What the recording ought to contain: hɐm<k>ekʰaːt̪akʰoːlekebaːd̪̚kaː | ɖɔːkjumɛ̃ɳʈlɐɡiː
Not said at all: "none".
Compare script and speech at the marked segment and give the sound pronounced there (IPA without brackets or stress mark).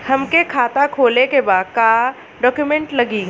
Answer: k